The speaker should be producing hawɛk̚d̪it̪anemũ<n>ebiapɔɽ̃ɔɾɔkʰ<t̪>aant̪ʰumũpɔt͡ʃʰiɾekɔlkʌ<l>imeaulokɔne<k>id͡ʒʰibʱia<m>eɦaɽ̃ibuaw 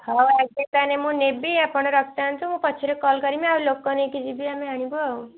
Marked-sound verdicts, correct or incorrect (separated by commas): correct, correct, incorrect, correct, correct